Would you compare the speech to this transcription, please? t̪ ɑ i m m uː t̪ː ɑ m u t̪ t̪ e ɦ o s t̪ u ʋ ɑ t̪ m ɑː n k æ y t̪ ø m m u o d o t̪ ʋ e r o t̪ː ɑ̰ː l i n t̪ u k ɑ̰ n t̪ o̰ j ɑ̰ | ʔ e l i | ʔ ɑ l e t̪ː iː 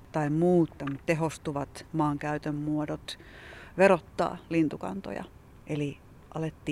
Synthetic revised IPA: t̪ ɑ i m m uː t̪ː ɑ m u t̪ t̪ e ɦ o s t̪ u ʋ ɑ t̪ m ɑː ŋ k æ y t̪ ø m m u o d o t̪ ʋ e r o t̪ː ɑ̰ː l i n t̪ u k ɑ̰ n t̪ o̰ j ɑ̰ | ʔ e l i | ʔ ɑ l e t̪ː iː